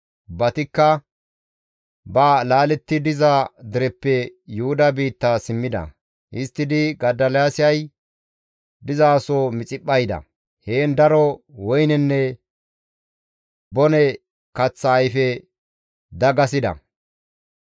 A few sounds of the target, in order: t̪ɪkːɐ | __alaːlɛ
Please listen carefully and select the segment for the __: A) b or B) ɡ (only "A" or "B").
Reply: A